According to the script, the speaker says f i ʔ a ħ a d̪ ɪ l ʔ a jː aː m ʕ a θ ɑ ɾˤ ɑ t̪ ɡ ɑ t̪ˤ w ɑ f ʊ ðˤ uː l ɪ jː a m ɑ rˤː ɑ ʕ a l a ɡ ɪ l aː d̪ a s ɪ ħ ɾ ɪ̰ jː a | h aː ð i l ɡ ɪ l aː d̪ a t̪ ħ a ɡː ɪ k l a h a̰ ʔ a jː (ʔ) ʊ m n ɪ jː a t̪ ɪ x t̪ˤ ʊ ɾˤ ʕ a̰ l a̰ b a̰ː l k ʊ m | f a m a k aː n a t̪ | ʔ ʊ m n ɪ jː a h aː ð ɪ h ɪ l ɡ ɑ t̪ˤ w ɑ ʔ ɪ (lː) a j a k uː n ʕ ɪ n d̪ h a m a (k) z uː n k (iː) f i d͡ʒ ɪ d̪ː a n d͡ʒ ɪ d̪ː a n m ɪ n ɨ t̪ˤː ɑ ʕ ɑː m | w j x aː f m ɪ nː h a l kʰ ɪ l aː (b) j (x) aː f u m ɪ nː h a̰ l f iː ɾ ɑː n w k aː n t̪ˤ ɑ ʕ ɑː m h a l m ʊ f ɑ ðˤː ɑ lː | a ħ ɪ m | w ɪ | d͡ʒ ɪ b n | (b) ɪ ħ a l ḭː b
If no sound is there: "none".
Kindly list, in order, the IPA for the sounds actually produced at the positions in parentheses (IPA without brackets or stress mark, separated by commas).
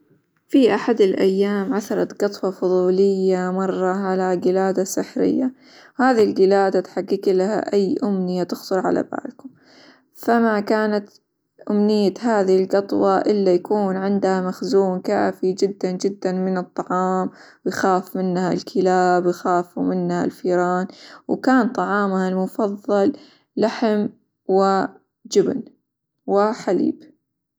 ʔ, lː, x, aː, b, x, w